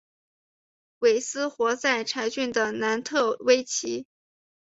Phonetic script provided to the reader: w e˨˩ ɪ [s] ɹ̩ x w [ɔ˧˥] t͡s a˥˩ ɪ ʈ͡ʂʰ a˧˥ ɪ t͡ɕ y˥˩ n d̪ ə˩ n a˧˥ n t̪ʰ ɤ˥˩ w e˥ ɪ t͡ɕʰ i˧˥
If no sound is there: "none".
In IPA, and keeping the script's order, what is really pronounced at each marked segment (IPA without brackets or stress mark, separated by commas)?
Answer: s, ɔ˧˥